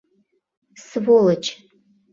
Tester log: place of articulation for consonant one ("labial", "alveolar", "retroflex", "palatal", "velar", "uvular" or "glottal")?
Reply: alveolar